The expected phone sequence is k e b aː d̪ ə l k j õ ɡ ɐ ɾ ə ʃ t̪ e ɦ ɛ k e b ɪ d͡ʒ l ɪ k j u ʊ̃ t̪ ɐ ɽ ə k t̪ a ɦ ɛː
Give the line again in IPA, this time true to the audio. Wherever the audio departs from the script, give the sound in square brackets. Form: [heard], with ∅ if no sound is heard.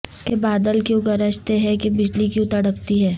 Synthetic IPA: k e b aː d̪ ə l k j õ ɡ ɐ ɾ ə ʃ t̪ e ɦ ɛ k e b ɪ d͡ʒ l [i] k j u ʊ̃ t̪ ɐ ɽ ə k t̪ [i] ɦ ɛː